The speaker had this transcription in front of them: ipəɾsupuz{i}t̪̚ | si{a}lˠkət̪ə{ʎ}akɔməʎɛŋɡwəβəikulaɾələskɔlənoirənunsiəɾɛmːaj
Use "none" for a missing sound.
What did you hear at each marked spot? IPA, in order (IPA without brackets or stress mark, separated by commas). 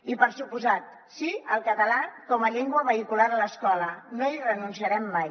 a, ə, l